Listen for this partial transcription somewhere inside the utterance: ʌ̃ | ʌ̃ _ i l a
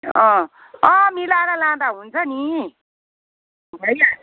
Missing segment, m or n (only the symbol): m